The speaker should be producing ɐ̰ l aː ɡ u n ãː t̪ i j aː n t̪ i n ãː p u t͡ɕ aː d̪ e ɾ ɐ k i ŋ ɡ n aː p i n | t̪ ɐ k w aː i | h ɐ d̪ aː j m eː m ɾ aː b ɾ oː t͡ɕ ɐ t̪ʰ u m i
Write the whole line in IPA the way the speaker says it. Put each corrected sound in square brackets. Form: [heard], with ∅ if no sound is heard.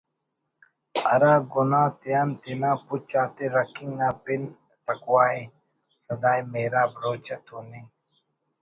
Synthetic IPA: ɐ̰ [ɾ] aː ɡ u n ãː t̪ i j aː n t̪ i n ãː p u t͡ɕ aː [t̪] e ɾ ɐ k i ŋ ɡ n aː p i n | t̪ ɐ k w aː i | [s] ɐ d̪ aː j m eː [∅] ɾ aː b ɾ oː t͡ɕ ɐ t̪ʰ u [n] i